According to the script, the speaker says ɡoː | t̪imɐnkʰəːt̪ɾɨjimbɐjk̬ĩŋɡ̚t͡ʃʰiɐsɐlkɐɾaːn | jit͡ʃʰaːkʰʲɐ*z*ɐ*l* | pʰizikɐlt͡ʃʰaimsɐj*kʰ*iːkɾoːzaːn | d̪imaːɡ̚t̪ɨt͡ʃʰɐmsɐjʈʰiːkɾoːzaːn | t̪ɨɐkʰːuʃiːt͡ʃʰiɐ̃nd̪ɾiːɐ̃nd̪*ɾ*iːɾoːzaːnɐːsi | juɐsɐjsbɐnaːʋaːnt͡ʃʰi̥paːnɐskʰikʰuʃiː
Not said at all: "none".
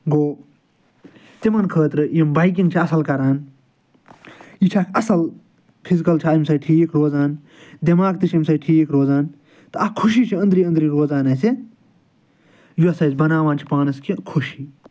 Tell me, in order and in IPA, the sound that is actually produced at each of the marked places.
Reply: s, l, ʈʰ, ɾ

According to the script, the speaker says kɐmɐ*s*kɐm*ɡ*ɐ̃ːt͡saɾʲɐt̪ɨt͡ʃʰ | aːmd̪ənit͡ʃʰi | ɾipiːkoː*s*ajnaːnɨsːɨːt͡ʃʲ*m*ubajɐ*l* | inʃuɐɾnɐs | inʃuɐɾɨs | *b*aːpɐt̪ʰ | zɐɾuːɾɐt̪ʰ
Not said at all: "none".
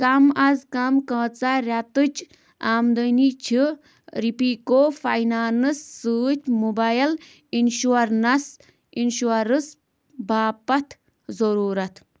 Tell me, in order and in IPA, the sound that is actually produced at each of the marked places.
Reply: z, k, f, m, l, b

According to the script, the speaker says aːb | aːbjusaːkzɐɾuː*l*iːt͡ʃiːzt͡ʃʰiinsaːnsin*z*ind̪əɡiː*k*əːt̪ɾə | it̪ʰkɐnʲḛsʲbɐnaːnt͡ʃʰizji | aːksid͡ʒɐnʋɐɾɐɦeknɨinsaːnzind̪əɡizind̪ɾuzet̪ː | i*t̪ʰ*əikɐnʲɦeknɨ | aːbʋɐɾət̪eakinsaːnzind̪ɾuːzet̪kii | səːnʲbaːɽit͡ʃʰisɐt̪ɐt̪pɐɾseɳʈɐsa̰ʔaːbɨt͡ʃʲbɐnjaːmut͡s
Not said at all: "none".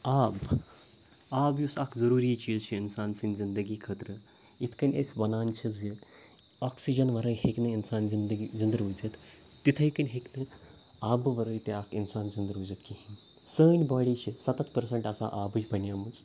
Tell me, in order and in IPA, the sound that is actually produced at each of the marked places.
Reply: ɾ, z, kʰ, t̪ʰ

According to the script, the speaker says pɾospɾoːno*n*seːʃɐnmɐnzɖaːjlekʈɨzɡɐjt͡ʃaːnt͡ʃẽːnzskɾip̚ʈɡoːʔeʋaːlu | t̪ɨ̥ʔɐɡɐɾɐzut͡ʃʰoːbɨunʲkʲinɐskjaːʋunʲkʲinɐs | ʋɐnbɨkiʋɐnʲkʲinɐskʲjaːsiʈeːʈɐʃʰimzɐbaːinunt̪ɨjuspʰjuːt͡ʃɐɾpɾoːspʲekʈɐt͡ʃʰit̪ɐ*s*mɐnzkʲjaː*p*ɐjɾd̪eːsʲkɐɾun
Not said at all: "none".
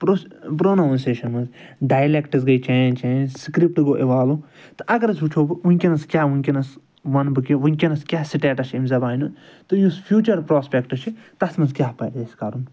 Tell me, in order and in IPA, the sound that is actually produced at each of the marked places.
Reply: n, s, p

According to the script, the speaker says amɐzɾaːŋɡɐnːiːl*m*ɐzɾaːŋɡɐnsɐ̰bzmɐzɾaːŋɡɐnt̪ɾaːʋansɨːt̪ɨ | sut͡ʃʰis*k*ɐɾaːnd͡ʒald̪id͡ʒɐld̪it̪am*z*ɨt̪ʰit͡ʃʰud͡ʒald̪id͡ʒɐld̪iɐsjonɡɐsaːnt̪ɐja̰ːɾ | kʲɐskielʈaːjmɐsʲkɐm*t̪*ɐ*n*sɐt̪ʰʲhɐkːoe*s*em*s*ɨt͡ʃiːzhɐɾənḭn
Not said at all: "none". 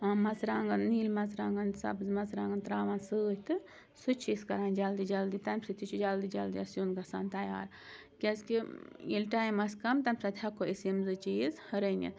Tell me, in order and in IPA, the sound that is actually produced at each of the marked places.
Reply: m, k, s, t̪, m, s, z

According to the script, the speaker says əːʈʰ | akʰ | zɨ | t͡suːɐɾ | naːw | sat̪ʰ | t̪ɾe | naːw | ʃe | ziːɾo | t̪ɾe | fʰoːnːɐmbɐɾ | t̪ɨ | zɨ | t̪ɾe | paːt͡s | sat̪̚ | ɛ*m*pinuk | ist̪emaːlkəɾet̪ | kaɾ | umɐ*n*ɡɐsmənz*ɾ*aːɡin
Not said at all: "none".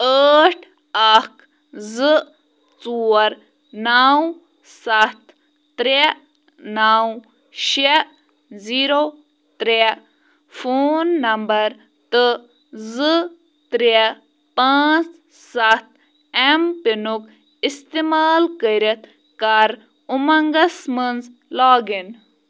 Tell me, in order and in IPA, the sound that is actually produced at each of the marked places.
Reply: m, ŋ, l

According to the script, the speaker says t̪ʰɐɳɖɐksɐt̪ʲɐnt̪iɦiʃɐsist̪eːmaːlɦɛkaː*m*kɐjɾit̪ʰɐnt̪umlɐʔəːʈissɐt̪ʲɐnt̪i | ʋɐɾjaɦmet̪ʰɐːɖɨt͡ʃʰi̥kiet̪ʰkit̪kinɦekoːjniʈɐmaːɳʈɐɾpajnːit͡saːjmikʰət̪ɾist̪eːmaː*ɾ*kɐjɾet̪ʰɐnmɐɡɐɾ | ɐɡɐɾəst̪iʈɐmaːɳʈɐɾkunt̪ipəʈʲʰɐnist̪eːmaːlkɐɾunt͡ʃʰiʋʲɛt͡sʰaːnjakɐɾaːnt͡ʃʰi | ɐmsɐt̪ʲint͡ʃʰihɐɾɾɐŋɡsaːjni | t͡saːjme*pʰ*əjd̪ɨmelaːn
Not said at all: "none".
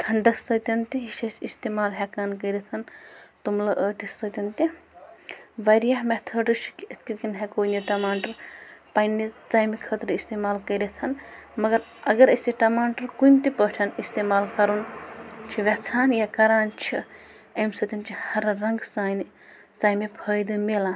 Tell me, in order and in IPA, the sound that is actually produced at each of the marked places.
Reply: n, l, pʰ

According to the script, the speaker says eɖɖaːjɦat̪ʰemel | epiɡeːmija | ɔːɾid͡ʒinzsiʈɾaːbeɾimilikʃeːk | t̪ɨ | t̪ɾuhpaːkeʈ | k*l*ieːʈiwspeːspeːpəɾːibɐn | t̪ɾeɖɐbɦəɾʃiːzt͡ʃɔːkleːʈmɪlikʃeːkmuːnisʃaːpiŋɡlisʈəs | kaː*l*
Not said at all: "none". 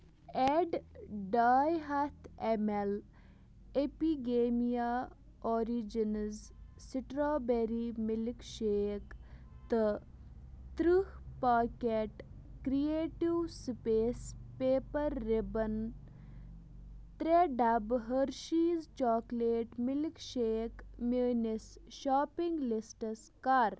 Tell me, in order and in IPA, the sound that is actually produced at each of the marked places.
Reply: ɾ, ɾ

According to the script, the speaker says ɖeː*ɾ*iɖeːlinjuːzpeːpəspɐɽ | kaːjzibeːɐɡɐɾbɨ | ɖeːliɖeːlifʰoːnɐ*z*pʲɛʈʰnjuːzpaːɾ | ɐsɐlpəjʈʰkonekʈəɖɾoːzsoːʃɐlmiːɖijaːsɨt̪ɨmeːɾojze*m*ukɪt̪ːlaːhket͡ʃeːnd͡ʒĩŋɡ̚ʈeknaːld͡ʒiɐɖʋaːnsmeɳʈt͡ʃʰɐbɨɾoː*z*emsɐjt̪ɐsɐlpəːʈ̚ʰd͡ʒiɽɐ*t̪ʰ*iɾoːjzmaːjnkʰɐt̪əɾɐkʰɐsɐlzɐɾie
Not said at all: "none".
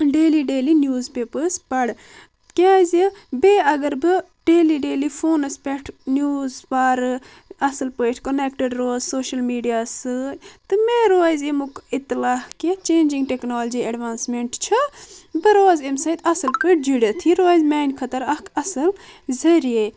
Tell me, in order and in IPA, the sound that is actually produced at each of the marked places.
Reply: l, s, m, z, t̪ʰ

